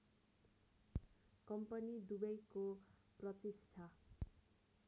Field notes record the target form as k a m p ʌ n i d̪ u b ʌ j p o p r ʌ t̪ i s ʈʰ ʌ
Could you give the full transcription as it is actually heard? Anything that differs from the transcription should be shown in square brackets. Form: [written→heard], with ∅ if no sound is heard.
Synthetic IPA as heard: k [a→ʌ] m p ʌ n i d̪ u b ʌ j [p→k] o p r ʌ t̪ i s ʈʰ [ʌ→a]